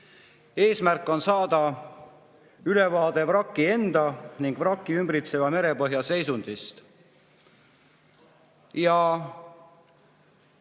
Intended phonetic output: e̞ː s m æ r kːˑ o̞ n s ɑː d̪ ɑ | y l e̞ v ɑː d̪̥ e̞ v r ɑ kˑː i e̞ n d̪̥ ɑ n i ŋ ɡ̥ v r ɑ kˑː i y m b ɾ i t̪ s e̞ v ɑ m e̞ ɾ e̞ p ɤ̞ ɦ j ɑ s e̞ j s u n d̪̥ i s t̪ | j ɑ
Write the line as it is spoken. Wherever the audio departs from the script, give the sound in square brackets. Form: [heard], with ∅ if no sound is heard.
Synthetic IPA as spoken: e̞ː s m æ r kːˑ o̞ n s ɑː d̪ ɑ | y l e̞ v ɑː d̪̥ e̞ v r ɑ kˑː i e̞ n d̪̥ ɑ n i ŋ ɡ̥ v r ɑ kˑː i y m b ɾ i t̪ s e̞ v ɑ m e̞ ɾ e̞ p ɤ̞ ɦ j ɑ s e̞ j s u n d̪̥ i s t̪ | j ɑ